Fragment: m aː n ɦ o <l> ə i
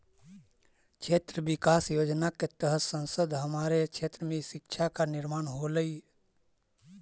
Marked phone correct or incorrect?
correct